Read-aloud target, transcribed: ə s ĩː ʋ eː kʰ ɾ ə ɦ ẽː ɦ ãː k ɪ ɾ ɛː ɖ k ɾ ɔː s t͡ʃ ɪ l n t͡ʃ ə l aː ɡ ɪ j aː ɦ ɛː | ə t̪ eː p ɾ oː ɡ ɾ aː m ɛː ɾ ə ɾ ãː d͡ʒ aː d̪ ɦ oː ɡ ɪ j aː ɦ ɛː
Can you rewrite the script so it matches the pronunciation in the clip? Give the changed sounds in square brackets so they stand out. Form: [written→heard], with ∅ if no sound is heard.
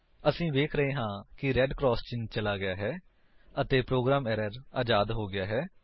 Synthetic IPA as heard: ə s ĩː ʋ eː kʰ ɾ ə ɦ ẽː ɦ ãː k ɪ ɾ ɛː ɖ k ɾ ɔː s t͡ʃ ɪ [l→∅] n t͡ʃ ə l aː ɡ ɪ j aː ɦ ɛː | ə t̪ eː p ɾ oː ɡ ɾ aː m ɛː ɾ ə ɾ [ãː→aː] d͡ʒ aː d̪ ɦ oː ɡ ɪ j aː ɦ ɛː